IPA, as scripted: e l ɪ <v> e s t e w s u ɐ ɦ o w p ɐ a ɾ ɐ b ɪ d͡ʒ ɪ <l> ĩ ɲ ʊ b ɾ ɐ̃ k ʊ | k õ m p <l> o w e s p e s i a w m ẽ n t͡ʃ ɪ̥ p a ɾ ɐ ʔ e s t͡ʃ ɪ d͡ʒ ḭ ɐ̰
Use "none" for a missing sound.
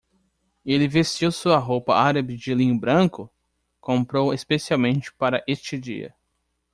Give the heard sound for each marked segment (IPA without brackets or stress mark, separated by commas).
v, l, ɾ